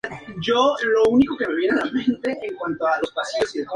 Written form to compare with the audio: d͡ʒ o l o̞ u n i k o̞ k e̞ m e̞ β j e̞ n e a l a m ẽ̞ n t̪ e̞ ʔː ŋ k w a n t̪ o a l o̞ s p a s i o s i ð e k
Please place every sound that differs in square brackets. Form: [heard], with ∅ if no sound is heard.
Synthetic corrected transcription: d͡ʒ o l o̞ u n i k o̞ k e̞ m e̞ β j e̞ n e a l a m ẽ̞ n t̪ e̞ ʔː ŋ k w a n t̪ o a l o̞ s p a s i o s i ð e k